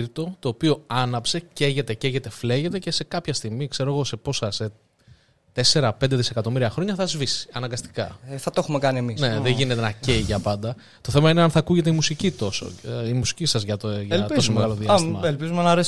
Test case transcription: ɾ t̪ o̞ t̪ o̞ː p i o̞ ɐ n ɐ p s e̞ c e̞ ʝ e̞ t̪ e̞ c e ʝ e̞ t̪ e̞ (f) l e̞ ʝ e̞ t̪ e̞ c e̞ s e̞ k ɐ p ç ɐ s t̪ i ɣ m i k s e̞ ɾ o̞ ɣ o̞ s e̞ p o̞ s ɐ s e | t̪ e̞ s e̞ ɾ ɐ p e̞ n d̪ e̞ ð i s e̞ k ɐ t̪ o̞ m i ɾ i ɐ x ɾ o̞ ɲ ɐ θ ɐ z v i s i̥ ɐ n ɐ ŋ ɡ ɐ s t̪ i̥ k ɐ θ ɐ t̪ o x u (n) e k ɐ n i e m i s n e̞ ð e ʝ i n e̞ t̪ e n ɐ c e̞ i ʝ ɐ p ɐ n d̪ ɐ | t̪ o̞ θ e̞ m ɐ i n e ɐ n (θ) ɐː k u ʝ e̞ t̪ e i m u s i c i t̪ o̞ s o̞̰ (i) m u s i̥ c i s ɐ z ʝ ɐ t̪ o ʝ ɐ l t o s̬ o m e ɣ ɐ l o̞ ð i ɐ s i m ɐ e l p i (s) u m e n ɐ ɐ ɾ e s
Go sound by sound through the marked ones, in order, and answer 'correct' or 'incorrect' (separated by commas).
correct, incorrect, correct, correct, incorrect